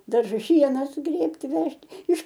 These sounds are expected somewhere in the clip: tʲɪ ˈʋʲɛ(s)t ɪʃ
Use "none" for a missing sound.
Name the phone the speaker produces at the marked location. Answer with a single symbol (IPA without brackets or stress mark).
ʃ